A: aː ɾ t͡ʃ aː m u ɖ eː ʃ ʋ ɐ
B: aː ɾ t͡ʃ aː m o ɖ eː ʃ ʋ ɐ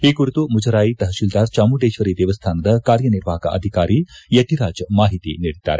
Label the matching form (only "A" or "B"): A